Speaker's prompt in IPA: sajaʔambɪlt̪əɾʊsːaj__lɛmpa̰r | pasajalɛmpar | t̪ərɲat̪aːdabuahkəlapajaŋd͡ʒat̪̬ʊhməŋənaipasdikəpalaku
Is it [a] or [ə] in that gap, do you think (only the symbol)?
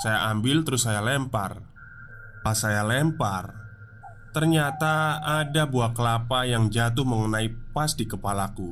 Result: a